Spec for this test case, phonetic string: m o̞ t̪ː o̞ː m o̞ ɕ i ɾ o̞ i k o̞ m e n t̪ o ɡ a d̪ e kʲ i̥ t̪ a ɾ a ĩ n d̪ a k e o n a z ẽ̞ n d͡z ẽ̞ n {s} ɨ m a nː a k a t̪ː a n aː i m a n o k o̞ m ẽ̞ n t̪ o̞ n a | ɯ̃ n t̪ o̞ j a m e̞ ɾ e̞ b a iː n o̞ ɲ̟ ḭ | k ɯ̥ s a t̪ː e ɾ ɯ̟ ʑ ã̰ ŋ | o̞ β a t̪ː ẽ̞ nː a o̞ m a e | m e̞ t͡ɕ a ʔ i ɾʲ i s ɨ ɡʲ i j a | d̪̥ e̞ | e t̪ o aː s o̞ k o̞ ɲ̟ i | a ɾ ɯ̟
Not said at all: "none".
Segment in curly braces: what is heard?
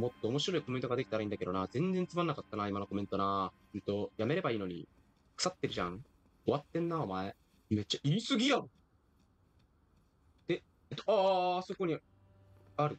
t͡s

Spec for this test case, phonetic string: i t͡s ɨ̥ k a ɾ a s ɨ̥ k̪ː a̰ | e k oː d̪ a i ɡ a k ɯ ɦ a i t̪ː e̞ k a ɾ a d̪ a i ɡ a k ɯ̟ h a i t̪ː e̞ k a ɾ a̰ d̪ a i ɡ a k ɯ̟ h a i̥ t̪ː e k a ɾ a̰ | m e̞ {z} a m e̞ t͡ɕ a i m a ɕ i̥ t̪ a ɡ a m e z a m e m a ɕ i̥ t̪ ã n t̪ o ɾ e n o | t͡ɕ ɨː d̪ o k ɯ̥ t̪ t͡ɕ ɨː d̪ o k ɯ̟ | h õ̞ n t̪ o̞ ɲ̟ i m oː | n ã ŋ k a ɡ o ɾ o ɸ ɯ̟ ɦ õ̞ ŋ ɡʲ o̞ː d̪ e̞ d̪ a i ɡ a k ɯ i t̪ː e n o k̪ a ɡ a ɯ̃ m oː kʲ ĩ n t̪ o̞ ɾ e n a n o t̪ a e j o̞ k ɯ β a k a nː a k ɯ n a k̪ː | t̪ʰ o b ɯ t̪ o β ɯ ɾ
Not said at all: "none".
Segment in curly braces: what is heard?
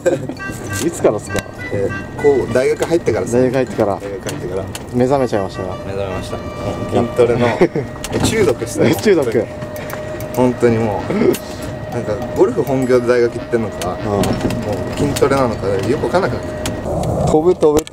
z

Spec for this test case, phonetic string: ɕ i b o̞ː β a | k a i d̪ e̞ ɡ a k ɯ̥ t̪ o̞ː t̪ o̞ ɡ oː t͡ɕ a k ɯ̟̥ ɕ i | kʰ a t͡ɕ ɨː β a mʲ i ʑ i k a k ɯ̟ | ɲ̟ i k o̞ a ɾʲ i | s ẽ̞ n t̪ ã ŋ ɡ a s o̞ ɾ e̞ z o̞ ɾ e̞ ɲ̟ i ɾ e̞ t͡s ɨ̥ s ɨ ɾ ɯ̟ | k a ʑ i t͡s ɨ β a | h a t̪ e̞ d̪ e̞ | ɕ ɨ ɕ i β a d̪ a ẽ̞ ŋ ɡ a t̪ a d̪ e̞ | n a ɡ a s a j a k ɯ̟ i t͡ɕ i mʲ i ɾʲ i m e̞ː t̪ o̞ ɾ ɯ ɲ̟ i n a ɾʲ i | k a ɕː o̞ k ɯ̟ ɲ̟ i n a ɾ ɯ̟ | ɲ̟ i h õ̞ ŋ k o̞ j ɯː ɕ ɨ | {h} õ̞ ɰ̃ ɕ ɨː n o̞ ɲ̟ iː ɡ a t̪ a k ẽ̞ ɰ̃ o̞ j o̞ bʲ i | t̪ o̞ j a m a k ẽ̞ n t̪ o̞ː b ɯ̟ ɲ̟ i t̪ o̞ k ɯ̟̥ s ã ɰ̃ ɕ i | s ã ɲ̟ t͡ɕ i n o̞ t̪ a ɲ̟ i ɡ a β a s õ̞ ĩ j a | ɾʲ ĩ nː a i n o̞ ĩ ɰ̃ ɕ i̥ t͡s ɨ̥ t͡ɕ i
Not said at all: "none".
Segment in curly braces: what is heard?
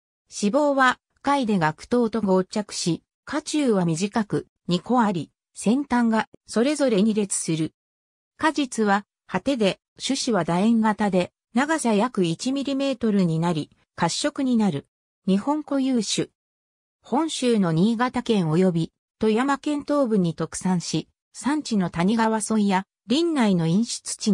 h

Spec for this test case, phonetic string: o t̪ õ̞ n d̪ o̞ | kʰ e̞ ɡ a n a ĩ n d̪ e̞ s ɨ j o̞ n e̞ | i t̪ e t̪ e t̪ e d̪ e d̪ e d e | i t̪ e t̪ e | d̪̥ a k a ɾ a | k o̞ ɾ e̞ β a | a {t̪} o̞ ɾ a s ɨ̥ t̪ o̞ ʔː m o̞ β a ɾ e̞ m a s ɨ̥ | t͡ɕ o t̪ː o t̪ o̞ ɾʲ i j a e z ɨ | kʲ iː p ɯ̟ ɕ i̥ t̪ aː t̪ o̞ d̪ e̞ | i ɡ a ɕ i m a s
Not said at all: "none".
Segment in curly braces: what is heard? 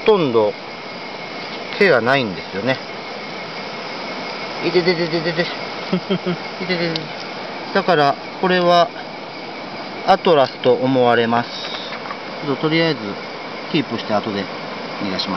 t̪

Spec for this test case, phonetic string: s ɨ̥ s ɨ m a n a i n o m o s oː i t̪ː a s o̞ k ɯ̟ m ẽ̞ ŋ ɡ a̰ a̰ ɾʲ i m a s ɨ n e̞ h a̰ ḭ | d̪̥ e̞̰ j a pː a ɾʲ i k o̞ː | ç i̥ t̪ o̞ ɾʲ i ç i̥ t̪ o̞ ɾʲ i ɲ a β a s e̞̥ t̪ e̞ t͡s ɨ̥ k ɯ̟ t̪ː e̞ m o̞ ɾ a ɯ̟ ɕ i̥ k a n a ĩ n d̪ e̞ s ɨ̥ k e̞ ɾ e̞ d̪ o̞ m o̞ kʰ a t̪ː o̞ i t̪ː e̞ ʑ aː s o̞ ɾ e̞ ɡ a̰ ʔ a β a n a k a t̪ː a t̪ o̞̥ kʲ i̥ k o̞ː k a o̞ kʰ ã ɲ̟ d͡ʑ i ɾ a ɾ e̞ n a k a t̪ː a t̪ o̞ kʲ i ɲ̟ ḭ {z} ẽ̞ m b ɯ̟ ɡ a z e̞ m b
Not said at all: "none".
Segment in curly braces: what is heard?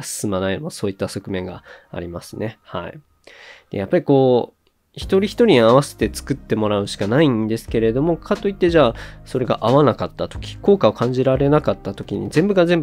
z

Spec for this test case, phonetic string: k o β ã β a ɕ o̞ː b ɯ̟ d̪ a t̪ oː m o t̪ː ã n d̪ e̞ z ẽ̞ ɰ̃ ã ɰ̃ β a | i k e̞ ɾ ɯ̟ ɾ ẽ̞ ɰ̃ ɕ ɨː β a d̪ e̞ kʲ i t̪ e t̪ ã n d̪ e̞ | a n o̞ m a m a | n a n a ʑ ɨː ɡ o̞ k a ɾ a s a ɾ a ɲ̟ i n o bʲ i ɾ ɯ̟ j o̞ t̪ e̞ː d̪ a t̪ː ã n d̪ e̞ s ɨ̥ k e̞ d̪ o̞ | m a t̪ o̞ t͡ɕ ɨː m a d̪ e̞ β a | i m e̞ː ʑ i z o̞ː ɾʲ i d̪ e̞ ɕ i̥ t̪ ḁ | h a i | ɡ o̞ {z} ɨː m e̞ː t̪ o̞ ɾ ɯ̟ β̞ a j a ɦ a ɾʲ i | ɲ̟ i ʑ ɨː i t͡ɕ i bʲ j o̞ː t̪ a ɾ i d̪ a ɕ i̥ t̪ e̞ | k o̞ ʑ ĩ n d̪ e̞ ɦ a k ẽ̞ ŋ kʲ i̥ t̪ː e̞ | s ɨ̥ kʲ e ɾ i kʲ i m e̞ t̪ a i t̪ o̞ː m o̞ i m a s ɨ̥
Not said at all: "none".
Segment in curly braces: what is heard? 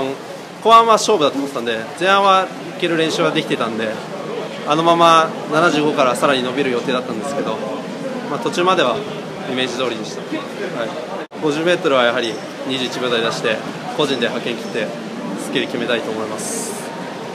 ʑ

